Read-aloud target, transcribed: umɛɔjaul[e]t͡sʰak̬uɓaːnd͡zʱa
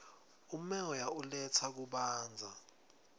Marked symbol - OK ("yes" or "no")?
no